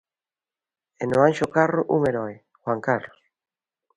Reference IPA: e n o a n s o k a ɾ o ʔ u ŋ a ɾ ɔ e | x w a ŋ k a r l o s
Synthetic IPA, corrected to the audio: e n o a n ʃ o k a r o ʔ u ŋ e ɾ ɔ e | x w a ŋ k a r l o s